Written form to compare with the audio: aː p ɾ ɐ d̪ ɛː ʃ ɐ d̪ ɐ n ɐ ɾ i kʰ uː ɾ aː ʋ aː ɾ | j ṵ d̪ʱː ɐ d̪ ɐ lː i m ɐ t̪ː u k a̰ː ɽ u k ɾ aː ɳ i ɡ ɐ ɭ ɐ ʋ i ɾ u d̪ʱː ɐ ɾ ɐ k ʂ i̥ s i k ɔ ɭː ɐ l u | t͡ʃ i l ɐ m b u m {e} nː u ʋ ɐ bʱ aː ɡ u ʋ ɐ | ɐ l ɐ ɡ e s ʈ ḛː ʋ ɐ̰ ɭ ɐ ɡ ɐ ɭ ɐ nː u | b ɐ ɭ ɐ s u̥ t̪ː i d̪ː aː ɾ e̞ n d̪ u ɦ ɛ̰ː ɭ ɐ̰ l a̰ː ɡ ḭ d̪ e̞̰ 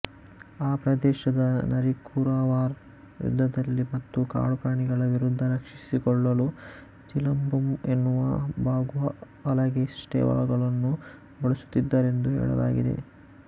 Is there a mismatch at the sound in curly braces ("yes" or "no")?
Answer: no